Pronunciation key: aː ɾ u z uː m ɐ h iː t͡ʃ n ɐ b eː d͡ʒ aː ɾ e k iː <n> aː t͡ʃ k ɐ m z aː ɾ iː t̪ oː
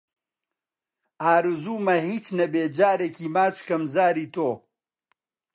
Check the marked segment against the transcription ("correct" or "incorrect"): incorrect